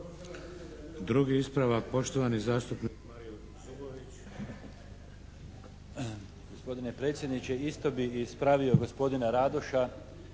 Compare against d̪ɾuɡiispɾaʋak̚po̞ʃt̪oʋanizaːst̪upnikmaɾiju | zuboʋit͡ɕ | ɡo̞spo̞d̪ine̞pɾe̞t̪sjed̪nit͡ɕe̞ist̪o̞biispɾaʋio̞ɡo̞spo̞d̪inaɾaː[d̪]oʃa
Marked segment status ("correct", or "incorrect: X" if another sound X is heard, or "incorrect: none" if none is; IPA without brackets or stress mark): correct